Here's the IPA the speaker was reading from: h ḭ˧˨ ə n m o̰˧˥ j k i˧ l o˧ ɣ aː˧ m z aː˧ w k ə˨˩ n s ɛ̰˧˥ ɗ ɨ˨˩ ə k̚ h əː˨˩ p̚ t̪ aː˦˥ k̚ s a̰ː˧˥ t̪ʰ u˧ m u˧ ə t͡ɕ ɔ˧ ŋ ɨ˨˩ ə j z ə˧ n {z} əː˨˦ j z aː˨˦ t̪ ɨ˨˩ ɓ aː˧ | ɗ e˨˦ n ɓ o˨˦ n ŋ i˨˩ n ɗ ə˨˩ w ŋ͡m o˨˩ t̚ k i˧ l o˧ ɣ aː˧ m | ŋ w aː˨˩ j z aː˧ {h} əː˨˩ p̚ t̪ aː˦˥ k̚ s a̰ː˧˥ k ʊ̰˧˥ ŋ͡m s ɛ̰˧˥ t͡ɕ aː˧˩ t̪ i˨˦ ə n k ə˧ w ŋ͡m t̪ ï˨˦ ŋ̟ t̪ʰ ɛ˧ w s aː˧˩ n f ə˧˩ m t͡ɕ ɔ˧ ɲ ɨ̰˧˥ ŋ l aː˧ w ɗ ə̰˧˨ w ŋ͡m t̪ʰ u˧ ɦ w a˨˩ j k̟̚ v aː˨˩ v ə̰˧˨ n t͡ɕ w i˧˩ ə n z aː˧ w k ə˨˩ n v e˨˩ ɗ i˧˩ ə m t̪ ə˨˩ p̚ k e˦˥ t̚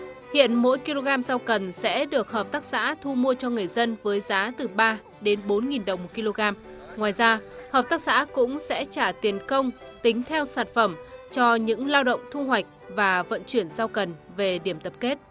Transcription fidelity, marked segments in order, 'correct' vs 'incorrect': incorrect: v, correct

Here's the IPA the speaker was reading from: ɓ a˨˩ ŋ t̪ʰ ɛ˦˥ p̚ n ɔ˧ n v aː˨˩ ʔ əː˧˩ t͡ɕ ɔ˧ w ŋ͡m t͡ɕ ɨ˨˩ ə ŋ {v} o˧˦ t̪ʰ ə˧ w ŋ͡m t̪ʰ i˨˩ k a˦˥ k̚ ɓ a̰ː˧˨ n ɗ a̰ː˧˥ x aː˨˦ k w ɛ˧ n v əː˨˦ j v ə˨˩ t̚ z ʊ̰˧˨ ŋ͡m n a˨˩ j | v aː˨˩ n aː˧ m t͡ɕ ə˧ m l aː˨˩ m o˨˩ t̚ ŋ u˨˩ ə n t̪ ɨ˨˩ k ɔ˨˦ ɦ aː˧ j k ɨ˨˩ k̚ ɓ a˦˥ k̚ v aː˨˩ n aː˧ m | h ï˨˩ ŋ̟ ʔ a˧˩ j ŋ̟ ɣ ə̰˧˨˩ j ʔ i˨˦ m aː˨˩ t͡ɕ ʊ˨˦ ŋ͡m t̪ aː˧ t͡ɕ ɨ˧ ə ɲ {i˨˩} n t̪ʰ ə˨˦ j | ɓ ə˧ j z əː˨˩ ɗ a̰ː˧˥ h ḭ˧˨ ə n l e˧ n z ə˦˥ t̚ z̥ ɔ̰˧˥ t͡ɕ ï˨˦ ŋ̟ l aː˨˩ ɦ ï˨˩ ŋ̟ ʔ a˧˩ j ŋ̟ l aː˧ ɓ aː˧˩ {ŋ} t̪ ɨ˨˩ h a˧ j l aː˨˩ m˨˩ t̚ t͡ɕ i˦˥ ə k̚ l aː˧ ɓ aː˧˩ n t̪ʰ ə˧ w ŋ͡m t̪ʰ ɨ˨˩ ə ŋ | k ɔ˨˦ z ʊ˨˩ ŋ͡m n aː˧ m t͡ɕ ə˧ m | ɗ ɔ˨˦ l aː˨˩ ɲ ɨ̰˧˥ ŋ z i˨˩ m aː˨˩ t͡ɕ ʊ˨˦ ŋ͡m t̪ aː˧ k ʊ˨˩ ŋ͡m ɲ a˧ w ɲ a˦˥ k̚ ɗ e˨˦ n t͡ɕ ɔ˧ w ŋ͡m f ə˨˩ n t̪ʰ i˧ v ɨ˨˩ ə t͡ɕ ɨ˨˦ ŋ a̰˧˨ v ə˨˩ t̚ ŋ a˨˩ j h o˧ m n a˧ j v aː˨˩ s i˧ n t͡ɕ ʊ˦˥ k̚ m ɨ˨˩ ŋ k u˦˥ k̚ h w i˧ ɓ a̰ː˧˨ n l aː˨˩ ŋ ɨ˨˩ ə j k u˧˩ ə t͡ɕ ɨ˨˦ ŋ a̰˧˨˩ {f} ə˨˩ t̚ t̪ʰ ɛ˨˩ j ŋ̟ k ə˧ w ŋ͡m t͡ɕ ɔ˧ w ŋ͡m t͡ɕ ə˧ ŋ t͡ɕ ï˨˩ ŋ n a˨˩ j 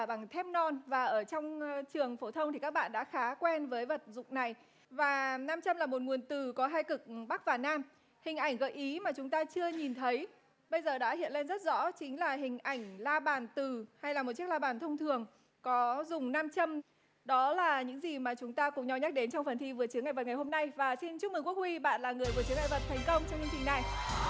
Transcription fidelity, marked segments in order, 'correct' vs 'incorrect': incorrect: f, correct, incorrect: n, incorrect: v

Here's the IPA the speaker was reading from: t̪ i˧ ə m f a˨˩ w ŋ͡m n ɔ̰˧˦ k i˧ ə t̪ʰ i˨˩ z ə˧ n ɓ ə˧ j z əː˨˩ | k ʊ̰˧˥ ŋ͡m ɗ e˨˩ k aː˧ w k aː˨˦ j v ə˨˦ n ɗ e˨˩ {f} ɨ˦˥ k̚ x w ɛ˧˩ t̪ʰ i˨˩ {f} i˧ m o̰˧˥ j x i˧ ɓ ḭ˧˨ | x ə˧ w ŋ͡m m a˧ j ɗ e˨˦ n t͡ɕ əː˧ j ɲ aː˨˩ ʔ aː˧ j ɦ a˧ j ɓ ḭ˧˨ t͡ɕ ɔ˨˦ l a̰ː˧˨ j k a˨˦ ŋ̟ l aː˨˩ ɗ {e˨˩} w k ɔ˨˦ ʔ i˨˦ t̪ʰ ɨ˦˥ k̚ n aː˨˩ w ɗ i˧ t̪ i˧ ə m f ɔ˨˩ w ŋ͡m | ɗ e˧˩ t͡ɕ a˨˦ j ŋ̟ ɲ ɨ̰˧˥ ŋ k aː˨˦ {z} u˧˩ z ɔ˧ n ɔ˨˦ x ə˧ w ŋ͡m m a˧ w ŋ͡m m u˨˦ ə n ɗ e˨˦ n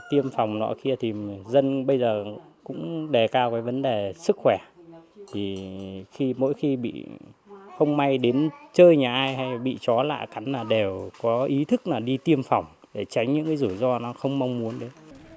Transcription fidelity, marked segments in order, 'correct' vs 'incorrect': incorrect: s, incorrect: x, correct, correct

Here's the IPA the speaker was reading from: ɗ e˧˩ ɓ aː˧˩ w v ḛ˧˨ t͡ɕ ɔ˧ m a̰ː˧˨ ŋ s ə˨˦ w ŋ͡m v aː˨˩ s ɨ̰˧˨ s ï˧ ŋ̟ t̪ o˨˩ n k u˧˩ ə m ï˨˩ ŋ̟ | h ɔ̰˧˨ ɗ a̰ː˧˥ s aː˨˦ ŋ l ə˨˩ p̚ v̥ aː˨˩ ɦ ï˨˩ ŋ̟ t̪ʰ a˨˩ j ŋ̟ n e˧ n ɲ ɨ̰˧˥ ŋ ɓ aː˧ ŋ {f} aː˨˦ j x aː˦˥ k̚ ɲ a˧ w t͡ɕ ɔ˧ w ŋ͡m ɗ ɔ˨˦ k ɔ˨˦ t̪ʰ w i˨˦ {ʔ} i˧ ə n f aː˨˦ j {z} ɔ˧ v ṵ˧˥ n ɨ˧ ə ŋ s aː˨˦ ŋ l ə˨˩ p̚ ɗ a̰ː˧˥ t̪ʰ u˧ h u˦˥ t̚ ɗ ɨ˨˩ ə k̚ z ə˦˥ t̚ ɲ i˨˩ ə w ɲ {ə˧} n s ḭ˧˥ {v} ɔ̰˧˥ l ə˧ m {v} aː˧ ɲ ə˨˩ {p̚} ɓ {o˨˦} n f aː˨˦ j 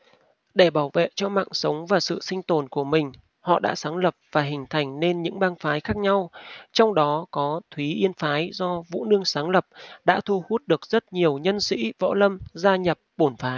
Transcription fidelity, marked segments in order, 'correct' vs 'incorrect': correct, correct, correct, correct, correct, incorrect: z, correct, incorrect: o˧˩

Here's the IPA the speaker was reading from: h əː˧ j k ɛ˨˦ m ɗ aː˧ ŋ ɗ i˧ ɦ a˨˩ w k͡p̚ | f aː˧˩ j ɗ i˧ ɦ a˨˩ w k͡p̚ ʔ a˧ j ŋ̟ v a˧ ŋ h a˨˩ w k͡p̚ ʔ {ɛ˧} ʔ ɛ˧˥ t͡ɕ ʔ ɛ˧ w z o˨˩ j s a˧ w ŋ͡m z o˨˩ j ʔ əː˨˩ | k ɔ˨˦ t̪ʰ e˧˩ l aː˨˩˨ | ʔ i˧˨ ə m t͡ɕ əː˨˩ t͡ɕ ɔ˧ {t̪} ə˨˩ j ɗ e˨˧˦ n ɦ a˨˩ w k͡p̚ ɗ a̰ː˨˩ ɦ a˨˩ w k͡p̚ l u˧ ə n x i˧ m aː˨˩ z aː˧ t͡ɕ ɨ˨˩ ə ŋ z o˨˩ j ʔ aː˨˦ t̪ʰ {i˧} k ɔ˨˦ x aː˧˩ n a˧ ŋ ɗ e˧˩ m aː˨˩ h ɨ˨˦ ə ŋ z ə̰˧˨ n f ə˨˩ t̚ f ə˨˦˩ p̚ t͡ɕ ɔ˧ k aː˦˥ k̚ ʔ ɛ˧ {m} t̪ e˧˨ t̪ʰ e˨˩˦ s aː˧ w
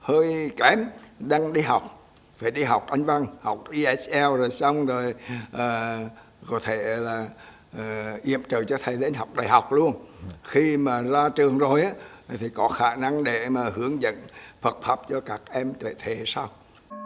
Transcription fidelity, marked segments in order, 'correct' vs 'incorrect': incorrect: i˧, incorrect: t̪ʰ, incorrect: i˨˩, correct

